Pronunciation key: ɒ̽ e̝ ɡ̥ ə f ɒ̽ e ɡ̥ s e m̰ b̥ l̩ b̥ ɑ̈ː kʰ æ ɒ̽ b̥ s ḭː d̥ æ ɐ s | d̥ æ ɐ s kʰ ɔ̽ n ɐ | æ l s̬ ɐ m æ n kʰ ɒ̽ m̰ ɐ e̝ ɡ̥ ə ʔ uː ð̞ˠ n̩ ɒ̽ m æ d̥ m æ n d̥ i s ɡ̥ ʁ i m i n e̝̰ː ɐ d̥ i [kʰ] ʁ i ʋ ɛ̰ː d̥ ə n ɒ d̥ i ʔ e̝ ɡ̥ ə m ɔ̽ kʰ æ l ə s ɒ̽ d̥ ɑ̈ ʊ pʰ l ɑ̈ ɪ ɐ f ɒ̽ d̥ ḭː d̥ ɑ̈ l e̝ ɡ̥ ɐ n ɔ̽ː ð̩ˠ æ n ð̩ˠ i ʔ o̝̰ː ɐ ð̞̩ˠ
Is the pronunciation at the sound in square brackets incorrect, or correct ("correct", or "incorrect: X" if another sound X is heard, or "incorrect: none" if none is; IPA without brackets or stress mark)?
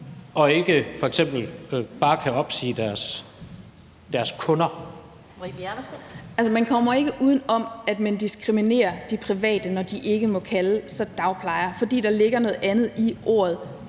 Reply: incorrect: pʰ